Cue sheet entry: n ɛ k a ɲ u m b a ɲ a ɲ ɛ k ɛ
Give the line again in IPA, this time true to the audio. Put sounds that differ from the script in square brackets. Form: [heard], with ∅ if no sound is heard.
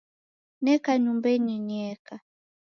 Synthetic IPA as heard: n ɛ k a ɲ u m b [ɛ] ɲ [i] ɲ ɛ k [a]